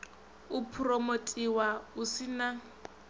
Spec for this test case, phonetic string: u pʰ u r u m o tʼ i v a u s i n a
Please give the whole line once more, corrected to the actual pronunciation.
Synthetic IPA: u pʰ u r o m o tʼ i w a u s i n a